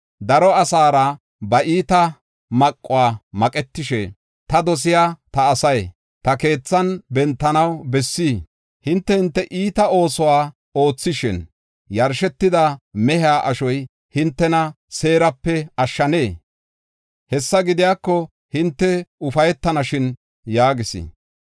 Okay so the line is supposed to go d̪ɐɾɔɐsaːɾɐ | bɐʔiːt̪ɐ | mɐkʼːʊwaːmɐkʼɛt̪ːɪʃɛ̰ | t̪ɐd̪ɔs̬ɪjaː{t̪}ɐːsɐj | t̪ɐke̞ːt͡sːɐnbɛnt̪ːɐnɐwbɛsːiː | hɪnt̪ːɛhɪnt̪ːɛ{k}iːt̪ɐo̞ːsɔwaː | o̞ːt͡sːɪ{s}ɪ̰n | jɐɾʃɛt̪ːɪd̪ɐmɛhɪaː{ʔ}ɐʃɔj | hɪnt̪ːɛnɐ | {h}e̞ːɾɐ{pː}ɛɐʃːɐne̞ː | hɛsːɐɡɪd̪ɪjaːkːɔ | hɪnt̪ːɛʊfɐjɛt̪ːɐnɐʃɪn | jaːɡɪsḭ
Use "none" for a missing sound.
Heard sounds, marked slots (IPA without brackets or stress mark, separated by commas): t̪, ʔ, ʃ, ʔ, s, pː